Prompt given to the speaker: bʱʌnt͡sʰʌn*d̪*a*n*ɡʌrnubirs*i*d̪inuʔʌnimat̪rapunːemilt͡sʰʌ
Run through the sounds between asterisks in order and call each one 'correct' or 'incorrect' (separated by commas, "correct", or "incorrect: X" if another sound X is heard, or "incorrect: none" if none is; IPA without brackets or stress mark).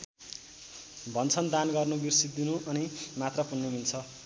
correct, correct, correct